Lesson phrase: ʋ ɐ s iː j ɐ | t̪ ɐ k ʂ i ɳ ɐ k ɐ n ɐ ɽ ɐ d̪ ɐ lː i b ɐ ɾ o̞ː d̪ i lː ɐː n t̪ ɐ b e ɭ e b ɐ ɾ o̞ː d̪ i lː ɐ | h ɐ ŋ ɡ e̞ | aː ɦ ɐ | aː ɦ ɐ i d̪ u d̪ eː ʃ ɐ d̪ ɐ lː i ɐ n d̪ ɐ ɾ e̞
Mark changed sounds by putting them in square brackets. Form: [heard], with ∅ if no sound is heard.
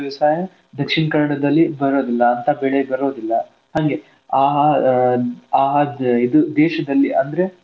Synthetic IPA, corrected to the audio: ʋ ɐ s [aː] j ɐ | [d̪] ɐ k ʂ i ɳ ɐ k ɐ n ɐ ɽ ɐ d̪ ɐ lː i b ɐ ɾ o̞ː d̪ i lː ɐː n t̪ ɐ b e ɭ e b ɐ ɾ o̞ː d̪ i lː ɐ | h ɐ ŋ ɡ e̞ | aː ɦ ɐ | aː ɦ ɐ i d̪ u d̪ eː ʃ ɐ d̪ ɐ lː i ɐ n d̪ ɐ ɾ e̞